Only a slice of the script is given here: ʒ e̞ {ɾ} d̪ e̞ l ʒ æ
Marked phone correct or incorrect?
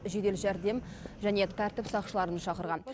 incorrect